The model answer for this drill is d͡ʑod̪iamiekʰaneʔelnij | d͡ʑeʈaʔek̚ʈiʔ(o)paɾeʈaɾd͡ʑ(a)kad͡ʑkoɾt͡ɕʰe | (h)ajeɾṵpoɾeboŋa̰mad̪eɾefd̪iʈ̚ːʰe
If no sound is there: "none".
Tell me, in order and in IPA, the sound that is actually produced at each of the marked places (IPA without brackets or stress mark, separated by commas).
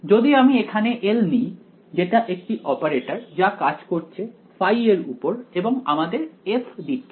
ɔ, a, f